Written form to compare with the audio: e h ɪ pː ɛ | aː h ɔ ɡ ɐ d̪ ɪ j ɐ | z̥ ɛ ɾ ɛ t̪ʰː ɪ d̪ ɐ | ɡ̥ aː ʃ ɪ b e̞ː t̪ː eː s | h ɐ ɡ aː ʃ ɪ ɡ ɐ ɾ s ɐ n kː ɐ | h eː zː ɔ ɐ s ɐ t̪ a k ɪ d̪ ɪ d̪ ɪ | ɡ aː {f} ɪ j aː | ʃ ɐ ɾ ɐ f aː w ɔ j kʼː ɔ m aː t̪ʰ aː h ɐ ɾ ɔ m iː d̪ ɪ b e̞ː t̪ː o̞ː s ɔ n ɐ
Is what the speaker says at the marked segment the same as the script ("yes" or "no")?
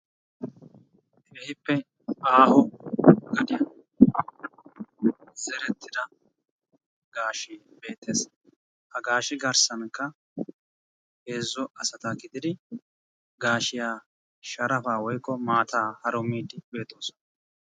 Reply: no